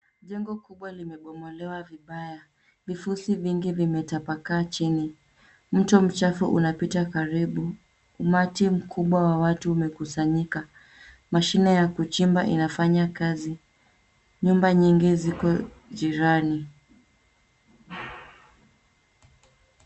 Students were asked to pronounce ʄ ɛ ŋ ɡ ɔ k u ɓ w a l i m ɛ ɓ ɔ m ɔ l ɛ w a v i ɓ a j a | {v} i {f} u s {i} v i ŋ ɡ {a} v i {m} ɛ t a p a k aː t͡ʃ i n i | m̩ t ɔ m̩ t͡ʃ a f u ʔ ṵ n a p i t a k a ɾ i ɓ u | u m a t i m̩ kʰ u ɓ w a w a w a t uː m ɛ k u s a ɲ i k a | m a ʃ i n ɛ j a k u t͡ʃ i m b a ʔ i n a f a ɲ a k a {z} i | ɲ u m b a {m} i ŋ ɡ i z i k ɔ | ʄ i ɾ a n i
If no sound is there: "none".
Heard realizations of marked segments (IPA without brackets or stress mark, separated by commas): v, f, i, i, m, z, ɲ